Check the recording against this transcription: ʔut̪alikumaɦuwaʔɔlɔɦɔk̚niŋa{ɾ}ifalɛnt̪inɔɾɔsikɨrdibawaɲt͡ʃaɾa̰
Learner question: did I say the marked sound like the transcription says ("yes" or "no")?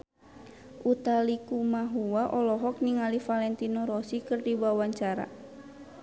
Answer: no